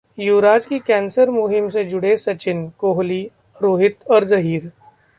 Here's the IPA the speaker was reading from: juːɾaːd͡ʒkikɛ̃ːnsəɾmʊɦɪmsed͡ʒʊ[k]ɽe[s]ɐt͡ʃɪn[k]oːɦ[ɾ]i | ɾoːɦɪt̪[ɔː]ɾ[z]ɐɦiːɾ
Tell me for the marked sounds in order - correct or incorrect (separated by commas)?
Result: incorrect, correct, correct, incorrect, correct, correct